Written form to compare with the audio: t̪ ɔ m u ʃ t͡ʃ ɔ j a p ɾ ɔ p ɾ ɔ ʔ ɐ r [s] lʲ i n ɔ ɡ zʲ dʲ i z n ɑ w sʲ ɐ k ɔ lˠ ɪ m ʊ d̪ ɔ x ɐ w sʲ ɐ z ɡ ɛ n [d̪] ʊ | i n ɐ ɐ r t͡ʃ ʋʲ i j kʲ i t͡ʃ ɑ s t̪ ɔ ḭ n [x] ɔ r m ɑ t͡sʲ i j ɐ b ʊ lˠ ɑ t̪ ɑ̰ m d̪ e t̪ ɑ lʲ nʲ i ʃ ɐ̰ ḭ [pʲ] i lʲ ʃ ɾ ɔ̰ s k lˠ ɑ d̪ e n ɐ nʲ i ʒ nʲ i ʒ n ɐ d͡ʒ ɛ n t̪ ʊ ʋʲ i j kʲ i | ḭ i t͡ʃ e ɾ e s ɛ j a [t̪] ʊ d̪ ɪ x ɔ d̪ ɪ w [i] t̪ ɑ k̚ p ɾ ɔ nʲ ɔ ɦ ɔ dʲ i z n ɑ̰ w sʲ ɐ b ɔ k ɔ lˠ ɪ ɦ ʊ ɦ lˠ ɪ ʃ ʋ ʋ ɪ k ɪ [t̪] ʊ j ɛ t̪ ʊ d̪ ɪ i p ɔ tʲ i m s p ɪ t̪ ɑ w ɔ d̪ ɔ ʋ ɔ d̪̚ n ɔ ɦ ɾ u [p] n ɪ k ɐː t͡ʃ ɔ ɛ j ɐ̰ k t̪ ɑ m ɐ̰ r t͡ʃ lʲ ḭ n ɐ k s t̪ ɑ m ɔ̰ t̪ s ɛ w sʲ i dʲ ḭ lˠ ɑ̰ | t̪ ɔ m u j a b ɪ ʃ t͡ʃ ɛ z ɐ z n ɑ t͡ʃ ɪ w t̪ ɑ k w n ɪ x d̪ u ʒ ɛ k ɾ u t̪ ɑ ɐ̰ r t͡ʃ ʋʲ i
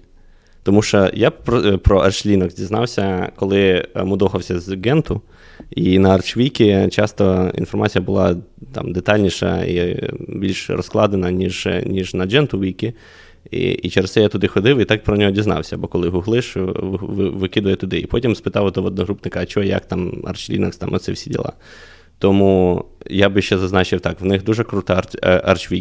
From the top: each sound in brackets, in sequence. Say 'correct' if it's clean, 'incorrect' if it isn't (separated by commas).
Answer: incorrect, incorrect, incorrect, incorrect, correct, correct, incorrect, correct